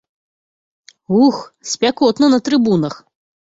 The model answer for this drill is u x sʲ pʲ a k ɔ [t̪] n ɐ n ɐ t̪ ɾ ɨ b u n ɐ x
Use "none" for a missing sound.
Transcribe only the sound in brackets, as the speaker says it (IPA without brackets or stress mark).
t̪